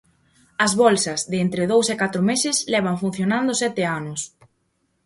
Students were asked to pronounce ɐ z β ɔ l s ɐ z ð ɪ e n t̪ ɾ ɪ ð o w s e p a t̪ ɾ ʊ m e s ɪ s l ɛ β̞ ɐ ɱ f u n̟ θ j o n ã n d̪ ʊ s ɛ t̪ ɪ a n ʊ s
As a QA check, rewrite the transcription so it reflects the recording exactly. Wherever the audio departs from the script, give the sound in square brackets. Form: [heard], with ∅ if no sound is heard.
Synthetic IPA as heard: ɐ z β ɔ l s ɐ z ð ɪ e n t̪ ɾ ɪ ð o w s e [k] a t̪ ɾ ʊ m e s ɪ s l ɛ β̞ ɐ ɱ f u n̟ θ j o n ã n d̪ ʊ s ɛ t̪ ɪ a n ʊ s